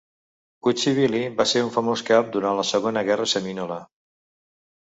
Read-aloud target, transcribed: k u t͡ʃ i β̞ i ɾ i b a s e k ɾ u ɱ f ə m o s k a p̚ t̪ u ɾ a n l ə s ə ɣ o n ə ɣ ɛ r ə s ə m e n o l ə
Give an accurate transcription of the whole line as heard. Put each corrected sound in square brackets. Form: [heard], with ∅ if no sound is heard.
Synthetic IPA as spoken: k u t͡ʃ i β̞ i [l] i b a s e [∅] ɾ u ɱ f ə m o s k a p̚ [d̪] u ɾ a n l ə s ə ɣ o n ə ɣ ɛ r ə s ə m [i] n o l ə